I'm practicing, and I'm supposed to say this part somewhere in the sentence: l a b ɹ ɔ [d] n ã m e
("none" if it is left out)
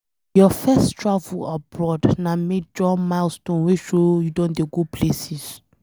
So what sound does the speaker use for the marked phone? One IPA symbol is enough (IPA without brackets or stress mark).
d